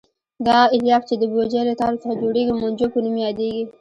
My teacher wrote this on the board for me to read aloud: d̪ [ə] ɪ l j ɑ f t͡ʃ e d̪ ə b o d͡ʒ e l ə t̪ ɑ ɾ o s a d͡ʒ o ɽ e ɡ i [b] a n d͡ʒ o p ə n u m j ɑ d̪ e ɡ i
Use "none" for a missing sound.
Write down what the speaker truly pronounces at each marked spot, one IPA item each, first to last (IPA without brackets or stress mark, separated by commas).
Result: ɑ, m